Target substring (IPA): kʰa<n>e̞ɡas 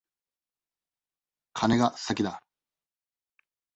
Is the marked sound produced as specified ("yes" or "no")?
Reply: yes